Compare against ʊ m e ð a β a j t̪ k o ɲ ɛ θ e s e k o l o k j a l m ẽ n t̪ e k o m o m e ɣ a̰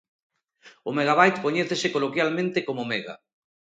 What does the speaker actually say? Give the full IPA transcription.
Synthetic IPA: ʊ m e ɣ a β a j t̪ k o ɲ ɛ θ e s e k o l o k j a l m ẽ n t̪ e k o m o m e ɣ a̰